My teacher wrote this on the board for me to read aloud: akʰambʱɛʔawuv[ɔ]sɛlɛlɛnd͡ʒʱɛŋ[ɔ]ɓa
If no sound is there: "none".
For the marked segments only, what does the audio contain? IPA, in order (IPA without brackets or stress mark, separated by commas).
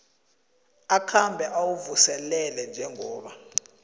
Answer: u, ɔː